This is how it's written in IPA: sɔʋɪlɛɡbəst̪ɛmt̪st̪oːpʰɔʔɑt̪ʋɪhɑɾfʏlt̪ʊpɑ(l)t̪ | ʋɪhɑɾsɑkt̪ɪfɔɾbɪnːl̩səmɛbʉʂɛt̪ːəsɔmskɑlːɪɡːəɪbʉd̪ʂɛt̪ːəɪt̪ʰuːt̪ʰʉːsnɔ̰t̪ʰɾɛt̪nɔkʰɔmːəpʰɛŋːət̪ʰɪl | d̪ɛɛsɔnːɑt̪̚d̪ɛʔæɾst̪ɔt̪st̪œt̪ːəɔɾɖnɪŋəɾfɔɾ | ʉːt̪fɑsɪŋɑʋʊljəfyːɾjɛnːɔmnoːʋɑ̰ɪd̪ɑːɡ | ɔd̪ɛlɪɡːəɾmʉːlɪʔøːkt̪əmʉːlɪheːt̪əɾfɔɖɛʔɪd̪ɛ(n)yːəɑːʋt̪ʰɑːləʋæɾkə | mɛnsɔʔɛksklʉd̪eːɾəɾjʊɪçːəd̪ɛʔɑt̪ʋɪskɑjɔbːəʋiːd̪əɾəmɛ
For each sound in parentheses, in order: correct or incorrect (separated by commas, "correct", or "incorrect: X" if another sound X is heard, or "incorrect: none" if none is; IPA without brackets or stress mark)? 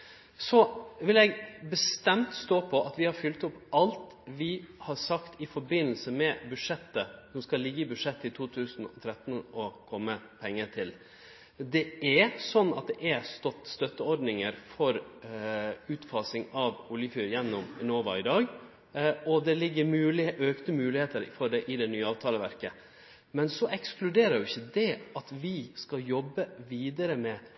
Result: correct, correct